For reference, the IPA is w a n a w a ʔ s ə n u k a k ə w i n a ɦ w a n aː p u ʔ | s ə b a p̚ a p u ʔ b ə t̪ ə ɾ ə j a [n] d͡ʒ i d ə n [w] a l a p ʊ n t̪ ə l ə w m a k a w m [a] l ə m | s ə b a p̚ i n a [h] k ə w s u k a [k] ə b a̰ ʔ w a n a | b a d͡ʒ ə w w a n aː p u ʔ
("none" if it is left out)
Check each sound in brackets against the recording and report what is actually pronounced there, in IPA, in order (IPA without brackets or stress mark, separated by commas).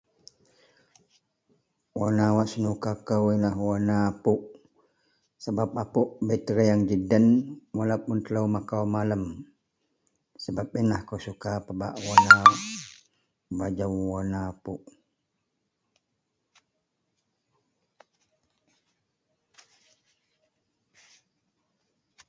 ŋ, w, a, h, p